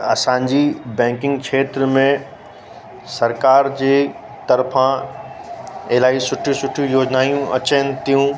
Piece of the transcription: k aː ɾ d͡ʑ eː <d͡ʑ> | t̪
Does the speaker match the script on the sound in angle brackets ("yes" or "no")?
no